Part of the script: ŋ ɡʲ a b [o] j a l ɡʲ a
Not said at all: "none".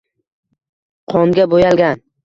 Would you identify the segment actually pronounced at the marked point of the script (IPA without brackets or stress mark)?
o